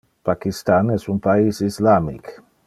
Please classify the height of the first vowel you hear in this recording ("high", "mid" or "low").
low